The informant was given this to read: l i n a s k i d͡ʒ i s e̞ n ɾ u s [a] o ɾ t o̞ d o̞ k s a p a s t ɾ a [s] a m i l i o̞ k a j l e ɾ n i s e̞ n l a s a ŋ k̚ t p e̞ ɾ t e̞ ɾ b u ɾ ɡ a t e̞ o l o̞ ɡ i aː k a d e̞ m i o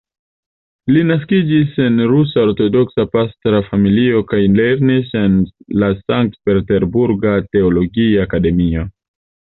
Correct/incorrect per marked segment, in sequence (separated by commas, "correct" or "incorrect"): correct, incorrect